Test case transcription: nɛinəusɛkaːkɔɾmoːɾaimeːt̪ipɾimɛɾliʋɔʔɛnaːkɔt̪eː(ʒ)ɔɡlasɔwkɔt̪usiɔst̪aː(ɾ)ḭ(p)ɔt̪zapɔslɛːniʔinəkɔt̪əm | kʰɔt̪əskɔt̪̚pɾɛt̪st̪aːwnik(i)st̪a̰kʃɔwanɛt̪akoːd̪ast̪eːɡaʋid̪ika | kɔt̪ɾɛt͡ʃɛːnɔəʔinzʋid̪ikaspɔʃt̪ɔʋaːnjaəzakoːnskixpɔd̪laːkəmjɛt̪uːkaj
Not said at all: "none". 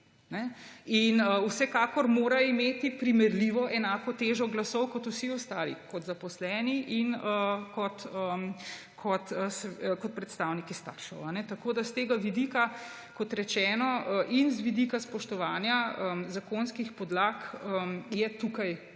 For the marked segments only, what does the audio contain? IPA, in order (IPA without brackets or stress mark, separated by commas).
ʒ, l, k, i